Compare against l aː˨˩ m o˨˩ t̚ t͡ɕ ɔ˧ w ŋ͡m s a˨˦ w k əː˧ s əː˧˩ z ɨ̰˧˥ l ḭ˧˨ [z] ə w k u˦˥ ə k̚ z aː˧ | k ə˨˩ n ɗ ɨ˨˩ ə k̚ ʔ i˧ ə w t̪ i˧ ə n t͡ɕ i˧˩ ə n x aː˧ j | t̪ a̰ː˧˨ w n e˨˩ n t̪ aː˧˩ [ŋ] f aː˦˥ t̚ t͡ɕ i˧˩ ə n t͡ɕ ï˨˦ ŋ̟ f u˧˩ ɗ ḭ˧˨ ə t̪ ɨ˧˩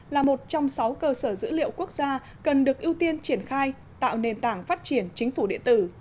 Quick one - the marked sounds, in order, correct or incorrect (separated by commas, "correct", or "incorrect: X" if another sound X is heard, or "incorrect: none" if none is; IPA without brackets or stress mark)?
incorrect: none, correct